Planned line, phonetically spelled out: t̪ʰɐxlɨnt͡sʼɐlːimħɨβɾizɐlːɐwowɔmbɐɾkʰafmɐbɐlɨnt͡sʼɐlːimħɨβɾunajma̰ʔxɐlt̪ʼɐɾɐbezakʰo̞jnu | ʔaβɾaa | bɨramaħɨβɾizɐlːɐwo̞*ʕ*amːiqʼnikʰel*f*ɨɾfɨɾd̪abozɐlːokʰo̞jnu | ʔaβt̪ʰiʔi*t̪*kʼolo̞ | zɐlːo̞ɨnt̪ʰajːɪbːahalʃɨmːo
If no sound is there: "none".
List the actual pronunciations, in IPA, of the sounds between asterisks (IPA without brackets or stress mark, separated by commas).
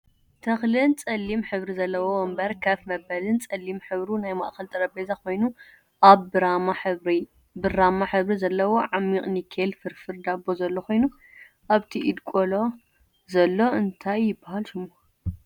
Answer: ʕ, f, d̪